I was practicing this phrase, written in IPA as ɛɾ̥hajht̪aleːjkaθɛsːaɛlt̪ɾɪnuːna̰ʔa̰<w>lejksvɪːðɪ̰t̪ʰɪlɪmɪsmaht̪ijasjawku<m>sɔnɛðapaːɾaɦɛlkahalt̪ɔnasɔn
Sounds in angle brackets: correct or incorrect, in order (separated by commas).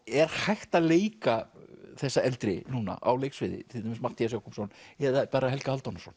correct, correct